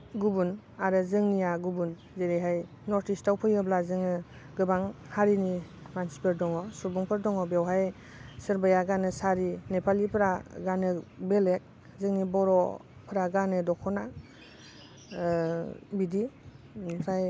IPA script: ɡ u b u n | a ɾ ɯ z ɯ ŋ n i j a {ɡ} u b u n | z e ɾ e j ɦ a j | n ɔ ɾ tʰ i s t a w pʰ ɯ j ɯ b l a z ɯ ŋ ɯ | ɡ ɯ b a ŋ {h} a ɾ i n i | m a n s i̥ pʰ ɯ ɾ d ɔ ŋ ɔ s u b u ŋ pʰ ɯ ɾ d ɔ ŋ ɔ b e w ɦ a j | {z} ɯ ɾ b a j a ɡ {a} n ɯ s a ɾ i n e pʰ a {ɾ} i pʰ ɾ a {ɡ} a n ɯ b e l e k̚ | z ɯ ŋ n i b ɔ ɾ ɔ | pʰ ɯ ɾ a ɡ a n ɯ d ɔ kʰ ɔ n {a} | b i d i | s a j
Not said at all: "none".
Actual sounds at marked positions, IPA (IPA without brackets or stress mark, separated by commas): ɡ, h, s, a, l, ɡ, a